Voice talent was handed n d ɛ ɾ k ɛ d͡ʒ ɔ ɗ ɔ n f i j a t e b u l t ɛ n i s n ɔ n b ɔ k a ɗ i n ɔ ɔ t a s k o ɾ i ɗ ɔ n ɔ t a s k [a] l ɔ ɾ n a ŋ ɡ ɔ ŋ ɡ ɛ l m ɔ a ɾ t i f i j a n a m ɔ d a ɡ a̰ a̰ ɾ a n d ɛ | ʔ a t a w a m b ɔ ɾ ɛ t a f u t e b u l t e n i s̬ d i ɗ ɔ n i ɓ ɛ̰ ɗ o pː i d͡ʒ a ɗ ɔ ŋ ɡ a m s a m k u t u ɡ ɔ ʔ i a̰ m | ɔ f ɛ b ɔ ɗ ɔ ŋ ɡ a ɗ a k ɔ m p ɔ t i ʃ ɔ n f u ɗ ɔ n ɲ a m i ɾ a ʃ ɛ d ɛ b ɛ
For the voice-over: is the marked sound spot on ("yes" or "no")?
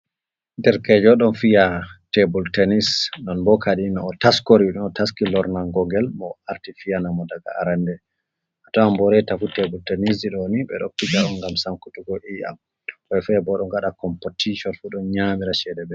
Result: no